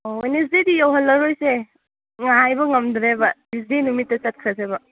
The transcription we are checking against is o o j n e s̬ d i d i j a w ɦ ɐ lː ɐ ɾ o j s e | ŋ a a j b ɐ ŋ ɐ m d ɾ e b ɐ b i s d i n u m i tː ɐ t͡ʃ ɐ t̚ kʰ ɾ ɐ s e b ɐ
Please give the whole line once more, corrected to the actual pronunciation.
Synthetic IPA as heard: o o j n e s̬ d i d i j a w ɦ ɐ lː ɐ ɾ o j s e | ŋ a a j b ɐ ŋ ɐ m d ɾ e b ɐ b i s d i n u m i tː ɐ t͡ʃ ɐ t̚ kʰ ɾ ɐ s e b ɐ